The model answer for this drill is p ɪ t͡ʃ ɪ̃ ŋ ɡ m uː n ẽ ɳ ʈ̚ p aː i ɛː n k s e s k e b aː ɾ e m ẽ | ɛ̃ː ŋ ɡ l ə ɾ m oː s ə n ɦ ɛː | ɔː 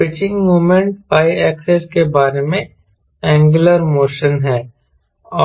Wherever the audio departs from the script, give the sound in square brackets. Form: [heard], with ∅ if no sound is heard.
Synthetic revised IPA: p ɪ t͡ʃ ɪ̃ ŋ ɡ m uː [m] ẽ ɳ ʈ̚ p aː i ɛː [∅] k s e s k e b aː ɾ e m ẽ | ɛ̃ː ŋ ɡ l ə ɾ m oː [ʃ] ə n ɦ ɛː | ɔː